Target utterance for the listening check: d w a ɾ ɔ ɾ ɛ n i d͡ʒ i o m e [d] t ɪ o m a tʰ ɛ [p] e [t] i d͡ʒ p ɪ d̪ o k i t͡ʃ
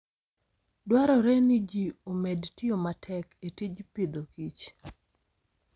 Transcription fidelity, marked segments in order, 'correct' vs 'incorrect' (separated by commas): correct, incorrect, correct